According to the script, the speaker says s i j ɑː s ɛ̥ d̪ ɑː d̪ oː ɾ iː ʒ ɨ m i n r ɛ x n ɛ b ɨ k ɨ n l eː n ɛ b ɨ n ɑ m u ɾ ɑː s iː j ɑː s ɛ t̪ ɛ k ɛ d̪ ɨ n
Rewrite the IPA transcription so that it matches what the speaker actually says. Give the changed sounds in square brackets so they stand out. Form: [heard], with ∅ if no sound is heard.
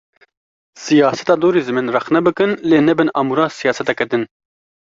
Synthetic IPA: s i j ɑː s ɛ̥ [t̪] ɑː d̪ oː ɾ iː [z] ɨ m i n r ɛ x n ɛ b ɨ k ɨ n l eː n ɛ b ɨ n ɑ m u ɾ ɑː s [i] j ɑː s ɛ t̪ ɛ k ɛ d̪ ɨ n